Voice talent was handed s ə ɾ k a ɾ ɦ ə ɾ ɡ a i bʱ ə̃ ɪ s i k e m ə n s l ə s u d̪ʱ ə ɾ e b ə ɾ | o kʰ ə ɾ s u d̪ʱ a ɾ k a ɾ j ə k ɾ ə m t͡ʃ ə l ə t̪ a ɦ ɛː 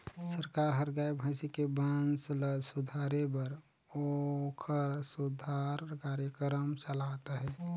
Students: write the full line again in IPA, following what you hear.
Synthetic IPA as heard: s ə ɾ k a ɾ ɦ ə ɾ ɡ a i bʱ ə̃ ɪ s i k e b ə n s l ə s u d̪ʱ a ɾ e b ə ɾ | o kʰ ə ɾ s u d̪ʱ a ɾ k a ɾ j ə k ɾ ə m t͡ʃ ə l a t̪ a ɦ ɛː